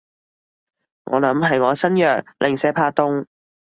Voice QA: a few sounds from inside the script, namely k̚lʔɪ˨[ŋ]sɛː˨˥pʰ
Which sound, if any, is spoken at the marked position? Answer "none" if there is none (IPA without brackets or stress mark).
ŋ